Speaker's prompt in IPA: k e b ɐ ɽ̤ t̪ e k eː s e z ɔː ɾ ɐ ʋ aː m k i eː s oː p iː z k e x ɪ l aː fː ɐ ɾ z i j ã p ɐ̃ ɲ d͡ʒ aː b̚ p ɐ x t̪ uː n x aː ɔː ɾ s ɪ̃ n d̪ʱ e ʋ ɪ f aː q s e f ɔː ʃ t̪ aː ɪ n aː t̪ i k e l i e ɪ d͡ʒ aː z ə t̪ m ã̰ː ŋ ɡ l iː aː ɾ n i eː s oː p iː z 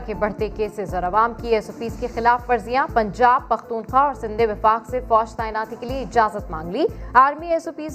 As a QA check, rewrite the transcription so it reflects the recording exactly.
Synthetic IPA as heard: k e b ɐ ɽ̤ t̪ e k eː s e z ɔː ɾ ɐ ʋ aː m k i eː s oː p iː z k e x ɪ l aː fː ɐ ɾ z i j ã p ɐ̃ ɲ d͡ʒ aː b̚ p ɐ x t̪ uː n x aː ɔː ɾ s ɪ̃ n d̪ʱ e ʋ ɪ f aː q s e f ɔː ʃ t̪ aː ɪ n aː t̪ i k e l i e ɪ d͡ʒ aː z ə t̪ m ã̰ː ŋ ɡ l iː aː ɾ m i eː s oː p iː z